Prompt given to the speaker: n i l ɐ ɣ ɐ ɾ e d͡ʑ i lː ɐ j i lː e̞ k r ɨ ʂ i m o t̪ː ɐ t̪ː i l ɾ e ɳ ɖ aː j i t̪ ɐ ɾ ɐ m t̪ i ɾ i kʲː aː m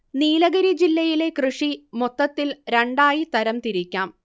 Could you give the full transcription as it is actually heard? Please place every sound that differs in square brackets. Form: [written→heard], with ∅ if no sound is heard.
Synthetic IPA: n [i→iː] l ɐ ɣ ɐ ɾ [e→i] d͡ʑ i lː ɐ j i [lː→l] e̞ k r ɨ ʂ i m o t̪ː ɐ t̪ː i l ɾ e ɳ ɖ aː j i t̪ ɐ ɾ ɐ m t̪ i ɾ i kʲː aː m